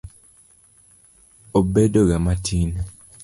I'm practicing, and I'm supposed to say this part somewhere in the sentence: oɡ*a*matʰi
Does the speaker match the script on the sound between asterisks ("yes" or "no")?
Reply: yes